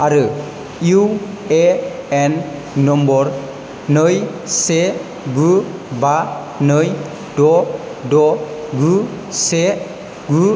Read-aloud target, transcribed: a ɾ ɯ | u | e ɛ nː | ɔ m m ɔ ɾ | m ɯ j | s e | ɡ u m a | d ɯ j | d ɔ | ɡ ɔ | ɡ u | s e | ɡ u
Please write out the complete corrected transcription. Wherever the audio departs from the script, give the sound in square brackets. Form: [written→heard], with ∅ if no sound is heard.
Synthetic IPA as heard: a ɾ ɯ | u | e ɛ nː | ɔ m [m→b] ɔ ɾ | [m→n] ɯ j | s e | ɡ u [m→b] a | [d→n] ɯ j | d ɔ | [ɡ→d] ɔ | ɡ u | s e | ɡ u